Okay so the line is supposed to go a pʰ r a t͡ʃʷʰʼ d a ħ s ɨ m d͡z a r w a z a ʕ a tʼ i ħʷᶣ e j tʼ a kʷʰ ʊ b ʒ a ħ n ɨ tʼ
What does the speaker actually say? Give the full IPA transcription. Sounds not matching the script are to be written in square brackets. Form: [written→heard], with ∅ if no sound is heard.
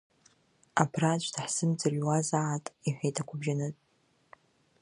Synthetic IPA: a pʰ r a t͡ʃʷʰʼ d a ħ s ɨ m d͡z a r w a z a ʕ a tʼ i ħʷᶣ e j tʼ a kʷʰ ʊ b ʒ a [ħ→∅] n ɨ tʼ